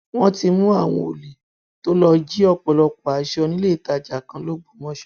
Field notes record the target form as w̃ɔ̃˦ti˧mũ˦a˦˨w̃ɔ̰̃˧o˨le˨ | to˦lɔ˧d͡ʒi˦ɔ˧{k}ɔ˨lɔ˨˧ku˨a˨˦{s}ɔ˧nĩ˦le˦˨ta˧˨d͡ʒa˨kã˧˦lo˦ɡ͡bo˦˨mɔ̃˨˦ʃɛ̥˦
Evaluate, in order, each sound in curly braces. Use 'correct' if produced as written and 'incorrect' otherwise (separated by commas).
incorrect, incorrect